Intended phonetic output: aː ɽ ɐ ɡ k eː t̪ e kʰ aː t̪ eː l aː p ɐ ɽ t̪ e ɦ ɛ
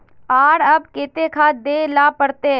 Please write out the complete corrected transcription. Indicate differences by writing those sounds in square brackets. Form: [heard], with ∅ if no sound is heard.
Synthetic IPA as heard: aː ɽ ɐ [b] k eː t̪ e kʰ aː [d̪] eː l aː p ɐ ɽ t̪ e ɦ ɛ

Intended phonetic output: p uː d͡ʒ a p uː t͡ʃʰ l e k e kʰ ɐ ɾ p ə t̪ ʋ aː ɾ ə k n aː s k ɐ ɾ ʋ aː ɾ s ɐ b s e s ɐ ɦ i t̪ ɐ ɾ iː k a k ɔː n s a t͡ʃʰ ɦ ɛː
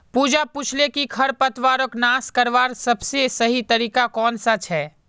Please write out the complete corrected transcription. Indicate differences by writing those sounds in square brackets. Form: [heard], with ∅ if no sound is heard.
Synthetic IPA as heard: p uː d͡ʒ a p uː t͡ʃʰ l e k [i] kʰ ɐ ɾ p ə t̪ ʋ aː ɾ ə k n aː s k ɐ ɾ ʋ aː ɾ s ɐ b s e s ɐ ɦ i t̪ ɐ ɾ iː k a k ɔː n s a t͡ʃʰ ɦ ɛː

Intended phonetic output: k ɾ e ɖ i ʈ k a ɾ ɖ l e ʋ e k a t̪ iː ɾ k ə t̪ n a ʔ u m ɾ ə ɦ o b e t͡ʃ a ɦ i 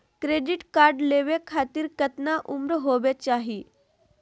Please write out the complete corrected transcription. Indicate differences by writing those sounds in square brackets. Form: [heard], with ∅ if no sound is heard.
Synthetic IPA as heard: k ɾ e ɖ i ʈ k a ɾ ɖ l e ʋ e [kʰ] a t̪ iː ɾ k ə t̪ n a ʔ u m ɾ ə ɦ o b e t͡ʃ a ɦ i

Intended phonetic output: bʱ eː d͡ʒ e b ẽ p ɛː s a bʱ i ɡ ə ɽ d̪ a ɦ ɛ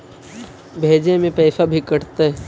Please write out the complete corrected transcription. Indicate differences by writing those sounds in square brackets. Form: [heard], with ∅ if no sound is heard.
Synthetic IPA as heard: bʱ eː d͡ʒ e [m] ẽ p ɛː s a bʱ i [k] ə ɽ [t̪] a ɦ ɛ

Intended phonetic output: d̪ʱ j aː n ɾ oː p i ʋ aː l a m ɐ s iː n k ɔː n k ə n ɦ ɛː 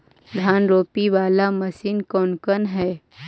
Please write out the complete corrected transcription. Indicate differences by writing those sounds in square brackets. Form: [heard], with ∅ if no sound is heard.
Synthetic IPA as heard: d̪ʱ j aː n ɾ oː p i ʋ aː l a m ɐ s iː n k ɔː n k ə n ɦ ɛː

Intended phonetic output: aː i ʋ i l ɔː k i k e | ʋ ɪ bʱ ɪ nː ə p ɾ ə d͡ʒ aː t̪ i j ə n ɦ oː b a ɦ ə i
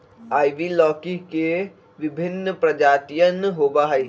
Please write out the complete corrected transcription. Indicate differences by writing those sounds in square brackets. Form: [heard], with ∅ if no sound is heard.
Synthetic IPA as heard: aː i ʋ i l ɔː k i k e | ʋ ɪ bʱ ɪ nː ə p ɾ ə d͡ʒ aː t̪ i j ə n ɦ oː b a ɦ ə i

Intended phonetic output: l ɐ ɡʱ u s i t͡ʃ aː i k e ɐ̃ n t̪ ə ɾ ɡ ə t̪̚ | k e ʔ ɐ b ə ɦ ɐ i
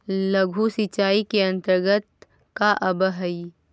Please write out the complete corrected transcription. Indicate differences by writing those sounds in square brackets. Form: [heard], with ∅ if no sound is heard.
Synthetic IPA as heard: l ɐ ɡʱ u s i t͡ʃ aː i k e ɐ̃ n t̪ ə ɾ ɡ ə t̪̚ | k [a] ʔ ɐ b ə ɦ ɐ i

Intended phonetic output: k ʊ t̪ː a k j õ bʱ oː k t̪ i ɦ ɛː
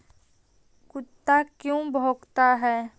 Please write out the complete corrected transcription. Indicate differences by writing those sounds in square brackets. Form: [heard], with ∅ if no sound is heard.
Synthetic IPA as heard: k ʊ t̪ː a k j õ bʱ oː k t̪ [a] ɦ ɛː

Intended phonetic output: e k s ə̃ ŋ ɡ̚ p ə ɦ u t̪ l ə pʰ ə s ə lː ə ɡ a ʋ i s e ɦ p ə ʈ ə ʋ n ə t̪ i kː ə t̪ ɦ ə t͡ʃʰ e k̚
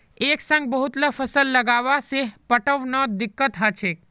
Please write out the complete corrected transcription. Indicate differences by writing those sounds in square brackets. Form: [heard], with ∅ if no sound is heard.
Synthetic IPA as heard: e k s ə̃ ŋ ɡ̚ [b] ə ɦ u t̪ l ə pʰ ə s ə lː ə ɡ a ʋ [a] s e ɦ p ə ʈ ə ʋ n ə [d̪] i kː ə t̪ ɦ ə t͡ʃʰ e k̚

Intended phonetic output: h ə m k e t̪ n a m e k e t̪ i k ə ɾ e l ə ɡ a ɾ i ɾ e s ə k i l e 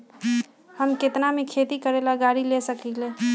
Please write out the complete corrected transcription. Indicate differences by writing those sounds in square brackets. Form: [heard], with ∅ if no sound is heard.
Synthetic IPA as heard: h ə m k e t̪ n a m e [kʰ] e t̪ i k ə ɾ e l [a] ɡ a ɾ i [l] e s ə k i l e

